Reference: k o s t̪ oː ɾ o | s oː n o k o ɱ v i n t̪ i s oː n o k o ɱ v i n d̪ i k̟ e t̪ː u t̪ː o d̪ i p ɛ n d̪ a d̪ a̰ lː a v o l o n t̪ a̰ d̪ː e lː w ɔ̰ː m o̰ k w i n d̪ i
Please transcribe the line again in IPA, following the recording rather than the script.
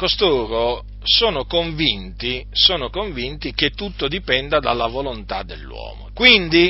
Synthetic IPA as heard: k o s t̪ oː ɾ o | s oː n o k o ɱ v i n t̪ i s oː n o k o ɱ v i n t̪ i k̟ e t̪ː u t̪ː o d̪ i p ɛ n d̪ a d̪ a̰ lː a v o l o n t̪ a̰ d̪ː e lː w ɔ̰ː m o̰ k w i n d̪ i